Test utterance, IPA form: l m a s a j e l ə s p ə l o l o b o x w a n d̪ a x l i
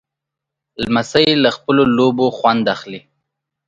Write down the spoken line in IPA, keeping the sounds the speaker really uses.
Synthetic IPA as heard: l m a s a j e l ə x p ə l o l o b o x w a n d̪ a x l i